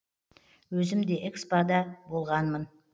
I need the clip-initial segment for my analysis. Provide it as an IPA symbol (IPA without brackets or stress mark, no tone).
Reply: w